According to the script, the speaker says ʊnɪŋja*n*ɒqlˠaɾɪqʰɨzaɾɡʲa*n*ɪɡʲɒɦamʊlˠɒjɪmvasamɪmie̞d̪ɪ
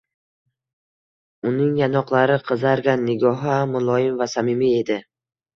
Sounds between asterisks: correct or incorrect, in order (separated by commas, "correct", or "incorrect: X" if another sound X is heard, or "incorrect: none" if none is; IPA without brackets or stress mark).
correct, incorrect: nː